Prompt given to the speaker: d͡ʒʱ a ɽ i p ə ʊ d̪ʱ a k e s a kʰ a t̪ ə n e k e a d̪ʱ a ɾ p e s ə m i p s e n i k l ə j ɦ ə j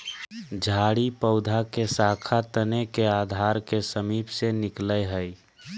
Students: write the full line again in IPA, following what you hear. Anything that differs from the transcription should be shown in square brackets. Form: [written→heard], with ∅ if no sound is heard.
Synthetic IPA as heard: d͡ʒʱ a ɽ i p ə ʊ d̪ʱ a k e s a kʰ a t̪ ə n e k e a d̪ʱ a ɾ [p→k] e s ə m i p s e n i k l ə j ɦ ə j